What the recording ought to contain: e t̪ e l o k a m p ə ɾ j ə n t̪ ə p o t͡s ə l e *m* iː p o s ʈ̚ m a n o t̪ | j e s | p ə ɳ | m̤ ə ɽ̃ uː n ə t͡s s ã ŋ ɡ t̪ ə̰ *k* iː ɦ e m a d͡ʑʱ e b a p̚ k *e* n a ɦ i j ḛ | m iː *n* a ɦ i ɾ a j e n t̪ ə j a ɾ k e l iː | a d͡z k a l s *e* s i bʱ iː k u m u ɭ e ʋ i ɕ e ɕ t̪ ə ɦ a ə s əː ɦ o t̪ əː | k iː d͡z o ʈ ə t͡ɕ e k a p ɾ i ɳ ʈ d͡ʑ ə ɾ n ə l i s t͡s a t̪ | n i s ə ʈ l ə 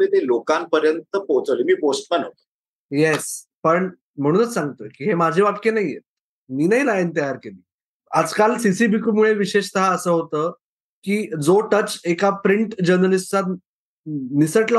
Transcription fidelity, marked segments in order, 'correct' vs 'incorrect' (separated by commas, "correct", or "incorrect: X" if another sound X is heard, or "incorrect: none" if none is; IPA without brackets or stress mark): correct, correct, correct, correct, incorrect: i